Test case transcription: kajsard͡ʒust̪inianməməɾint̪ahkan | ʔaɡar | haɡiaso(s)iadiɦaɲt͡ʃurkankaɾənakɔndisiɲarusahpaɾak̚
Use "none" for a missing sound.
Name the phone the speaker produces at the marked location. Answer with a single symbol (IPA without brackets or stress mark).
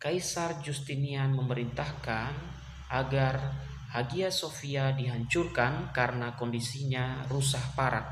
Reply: f